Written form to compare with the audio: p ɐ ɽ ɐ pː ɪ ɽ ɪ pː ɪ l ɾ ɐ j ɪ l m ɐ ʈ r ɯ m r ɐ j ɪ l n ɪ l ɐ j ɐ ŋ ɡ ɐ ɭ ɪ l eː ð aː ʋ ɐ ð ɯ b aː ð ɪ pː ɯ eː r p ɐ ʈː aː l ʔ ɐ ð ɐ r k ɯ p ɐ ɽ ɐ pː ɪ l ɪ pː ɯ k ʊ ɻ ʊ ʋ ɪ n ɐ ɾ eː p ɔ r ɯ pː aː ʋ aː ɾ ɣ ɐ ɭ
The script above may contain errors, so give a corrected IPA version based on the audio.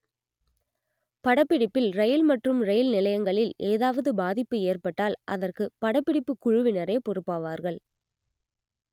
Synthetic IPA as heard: p ɐ ɽ ɐ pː ɪ ɽ ɪ pː ɪ l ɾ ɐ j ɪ l m ɐ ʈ r ɯ m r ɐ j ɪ l n ɪ l ɐ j ɐ ŋ ɡ ɐ ɭ ɪ l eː ð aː ʋ ɐ ð ɯ b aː ð ɪ pː ɯ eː r p ɐ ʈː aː l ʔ ɐ ð ɐ r k ɯ p ɐ ɽ ɐ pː ɪ ɽ ɪ pː ɯ k ʊ ɻ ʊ ʋ ɪ n ɐ ɾ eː p ɔ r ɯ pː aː ʋ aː ɾ ɣ ɐ ɭ